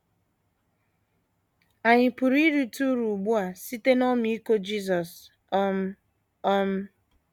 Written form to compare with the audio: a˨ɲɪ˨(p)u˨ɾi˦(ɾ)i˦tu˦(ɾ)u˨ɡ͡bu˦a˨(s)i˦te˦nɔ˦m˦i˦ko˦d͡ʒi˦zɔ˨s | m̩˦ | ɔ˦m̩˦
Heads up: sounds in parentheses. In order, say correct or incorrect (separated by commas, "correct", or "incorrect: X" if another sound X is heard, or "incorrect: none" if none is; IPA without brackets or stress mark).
correct, correct, correct, correct